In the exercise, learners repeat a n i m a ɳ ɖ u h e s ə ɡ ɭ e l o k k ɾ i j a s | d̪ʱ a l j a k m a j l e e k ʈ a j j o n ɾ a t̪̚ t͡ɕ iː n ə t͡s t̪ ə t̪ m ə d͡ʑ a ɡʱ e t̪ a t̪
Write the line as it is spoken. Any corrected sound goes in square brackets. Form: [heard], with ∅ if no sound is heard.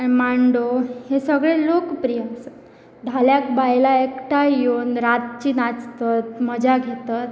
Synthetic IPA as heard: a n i m a ɳ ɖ [o] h e s ə ɡ ɭ e l o k [p] ɾ i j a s | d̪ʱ a l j a k [b] a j l [a] e k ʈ a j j o n ɾ a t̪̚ t͡ɕ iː n [a] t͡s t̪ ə t̪ m ə d͡ʑ a ɡʱ e t̪ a t̪